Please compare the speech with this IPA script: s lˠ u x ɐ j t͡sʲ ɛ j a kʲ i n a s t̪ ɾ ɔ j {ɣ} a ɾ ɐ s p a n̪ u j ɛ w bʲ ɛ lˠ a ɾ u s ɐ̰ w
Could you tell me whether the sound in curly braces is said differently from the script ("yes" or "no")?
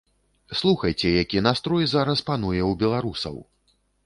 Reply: yes